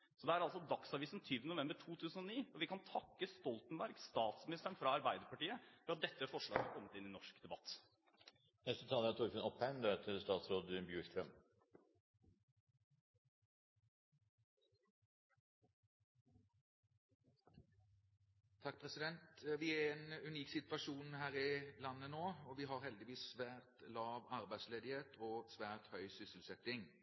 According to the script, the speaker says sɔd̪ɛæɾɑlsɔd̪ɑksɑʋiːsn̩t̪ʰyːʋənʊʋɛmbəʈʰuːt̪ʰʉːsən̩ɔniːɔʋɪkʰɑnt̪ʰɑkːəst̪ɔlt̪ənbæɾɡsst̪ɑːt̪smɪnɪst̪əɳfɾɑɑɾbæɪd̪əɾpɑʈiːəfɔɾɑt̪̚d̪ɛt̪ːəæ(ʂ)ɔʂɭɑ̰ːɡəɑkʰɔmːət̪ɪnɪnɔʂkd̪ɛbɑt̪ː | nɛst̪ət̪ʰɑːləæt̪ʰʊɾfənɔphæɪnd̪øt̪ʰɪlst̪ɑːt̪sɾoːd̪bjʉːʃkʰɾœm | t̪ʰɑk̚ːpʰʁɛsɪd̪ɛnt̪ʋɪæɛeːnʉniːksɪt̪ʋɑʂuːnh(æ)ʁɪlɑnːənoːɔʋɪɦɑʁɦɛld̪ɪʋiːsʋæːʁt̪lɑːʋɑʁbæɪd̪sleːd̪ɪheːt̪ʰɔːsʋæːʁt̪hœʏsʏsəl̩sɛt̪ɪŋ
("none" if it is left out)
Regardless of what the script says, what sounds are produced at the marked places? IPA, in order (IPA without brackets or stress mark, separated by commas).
f, æː